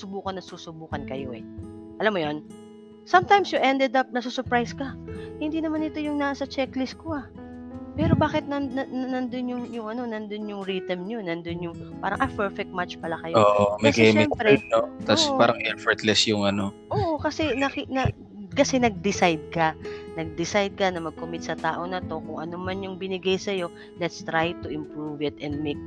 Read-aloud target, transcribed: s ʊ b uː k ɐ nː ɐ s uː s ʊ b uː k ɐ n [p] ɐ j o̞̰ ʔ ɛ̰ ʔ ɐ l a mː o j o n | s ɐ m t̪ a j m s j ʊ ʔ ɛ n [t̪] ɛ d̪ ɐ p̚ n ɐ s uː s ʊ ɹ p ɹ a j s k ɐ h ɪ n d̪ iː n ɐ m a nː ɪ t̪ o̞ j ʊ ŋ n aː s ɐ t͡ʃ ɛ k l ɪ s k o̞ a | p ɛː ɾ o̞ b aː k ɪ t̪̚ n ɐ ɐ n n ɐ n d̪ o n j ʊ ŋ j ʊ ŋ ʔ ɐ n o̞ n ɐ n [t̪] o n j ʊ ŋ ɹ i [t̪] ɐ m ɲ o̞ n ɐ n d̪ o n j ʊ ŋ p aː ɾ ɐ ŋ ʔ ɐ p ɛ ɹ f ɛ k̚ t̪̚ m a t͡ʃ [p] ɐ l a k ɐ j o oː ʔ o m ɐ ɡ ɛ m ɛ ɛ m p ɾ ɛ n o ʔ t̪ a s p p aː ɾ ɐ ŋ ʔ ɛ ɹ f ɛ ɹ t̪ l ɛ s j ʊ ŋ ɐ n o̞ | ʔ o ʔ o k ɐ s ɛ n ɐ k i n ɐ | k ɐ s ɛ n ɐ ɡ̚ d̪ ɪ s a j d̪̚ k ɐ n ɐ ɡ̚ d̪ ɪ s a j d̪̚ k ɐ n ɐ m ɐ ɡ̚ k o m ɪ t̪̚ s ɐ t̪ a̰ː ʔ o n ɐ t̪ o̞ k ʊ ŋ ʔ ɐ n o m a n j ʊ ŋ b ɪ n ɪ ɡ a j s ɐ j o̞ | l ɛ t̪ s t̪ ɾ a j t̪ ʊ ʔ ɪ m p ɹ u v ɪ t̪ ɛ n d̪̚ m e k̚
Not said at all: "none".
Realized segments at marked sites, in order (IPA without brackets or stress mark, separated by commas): k, d̪, d̪, t̪, p